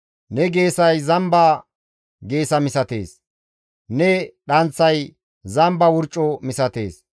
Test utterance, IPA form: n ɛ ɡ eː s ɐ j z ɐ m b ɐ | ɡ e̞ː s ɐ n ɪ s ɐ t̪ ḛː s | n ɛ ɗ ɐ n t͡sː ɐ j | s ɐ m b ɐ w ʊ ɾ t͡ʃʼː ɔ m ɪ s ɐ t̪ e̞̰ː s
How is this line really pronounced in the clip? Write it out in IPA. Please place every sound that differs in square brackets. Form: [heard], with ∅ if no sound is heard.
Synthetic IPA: n ɛ ɡ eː s ɐ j z ɐ m b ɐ | ɡ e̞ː s ɐ [m] ɪ s ɐ t̪ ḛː s | n ɛ ɗ ɐ n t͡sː ɐ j | [z] ɐ m b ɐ w ʊ ɾ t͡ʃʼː ɔ m ɪ s ɐ t̪ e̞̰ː s

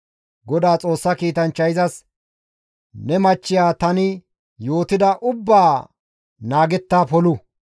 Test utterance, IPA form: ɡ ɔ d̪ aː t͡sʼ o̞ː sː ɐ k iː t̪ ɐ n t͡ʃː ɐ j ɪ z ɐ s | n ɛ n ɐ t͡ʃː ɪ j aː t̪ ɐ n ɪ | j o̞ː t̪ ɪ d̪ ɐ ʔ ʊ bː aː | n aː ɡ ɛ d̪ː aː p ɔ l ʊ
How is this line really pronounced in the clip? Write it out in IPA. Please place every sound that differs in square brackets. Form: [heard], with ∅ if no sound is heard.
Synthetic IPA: ɡ ɔ d̪ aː t͡sʼ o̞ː sː ɐ k iː t̪ ɐ n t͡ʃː ɐ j ɪ z ɐ s | n ɛ [m] ɐ t͡ʃː ɪ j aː t̪ ɐ n ɪ | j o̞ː t̪ ɪ d̪ ɐ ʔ ʊ bː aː | n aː ɡ ɛ [t̪ː] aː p ɔ l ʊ

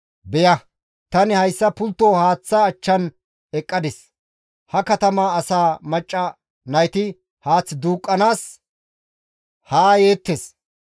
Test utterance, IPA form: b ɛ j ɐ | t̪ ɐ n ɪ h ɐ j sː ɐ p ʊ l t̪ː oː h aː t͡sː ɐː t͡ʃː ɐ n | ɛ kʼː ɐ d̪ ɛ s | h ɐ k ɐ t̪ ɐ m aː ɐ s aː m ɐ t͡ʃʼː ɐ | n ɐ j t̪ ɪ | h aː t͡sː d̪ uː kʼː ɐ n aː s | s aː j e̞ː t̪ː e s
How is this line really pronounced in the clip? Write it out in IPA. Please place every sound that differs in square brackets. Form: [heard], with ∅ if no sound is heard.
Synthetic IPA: b ɛ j ɐ | t̪ ɐ n ɪ h ɐ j sː ɐ p ʊ l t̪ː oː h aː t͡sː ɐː t͡ʃː ɐ n | ɛ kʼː ɐ d̪ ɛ s | h ɐ k ɐ t̪ ɐ m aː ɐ s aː m ɐ t͡ʃʼː ɐ | n ɐ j t̪ ɪ | h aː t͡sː d̪ uː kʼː ɐ n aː s | [h] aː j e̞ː t̪ː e s

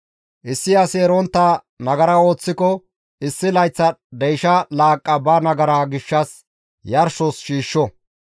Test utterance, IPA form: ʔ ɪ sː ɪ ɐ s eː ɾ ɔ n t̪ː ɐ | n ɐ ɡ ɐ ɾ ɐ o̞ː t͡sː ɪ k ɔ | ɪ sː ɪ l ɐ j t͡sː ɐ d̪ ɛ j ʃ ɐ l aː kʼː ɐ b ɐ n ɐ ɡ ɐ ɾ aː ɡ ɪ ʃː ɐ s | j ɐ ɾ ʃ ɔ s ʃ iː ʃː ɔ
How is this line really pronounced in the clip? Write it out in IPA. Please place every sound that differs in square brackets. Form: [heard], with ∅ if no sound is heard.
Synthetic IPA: ʔ ɪ sː ɪ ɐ s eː ɾ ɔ n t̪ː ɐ | n ɐ ɡ ɐ ɾ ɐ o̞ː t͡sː ɪ k ɔ | ɪ sː ɪ l ɐ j t͡sː ɐ d̪ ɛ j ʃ ɐ l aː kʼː ɐ b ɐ n ɐ ɡ ɐ ɾ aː ɡ ɪ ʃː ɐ s | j ɐ ɾ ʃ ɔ s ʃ iː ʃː ɔ

